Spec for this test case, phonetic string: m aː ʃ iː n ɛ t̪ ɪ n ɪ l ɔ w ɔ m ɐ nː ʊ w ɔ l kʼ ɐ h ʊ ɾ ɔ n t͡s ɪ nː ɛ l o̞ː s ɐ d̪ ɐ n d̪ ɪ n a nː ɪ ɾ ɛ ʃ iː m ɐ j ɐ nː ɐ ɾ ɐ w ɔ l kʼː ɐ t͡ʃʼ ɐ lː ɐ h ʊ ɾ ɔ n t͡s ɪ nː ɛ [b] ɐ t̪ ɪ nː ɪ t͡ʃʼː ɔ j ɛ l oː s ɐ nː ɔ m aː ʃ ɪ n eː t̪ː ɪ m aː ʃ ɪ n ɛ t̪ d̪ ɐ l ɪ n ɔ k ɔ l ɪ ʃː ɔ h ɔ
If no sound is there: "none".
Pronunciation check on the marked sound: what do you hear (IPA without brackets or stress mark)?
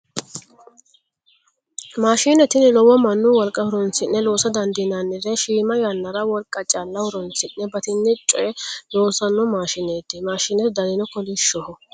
b